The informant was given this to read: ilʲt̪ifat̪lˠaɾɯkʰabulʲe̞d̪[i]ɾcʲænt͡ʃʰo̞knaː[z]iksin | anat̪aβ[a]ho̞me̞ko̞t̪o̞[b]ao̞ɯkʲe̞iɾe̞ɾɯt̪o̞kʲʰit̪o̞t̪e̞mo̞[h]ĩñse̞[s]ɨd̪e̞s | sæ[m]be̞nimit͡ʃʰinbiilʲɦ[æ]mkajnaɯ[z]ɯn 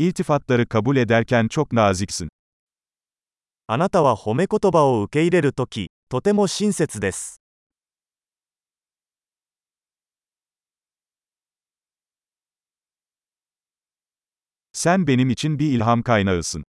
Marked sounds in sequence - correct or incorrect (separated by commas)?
incorrect, correct, correct, correct, incorrect, incorrect, incorrect, incorrect, incorrect